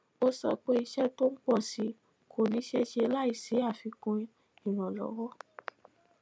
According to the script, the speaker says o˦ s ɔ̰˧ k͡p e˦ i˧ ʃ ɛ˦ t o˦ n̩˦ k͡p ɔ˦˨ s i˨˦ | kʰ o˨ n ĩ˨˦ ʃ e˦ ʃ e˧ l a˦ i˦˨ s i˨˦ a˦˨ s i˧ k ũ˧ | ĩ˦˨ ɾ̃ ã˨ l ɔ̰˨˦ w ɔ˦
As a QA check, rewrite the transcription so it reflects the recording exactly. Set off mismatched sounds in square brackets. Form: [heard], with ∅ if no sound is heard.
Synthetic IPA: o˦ s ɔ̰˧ k͡p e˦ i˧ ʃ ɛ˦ t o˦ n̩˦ k͡p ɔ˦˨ s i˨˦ | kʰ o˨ n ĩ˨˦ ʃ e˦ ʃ e˧ l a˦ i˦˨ s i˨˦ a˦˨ [f] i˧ k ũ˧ | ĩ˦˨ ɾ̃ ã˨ l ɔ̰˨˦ w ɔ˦